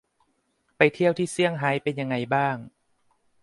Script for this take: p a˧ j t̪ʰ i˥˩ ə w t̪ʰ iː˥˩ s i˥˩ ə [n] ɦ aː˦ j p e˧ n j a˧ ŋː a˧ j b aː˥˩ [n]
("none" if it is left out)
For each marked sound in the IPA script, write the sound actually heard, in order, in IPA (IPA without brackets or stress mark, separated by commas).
ŋ, ŋ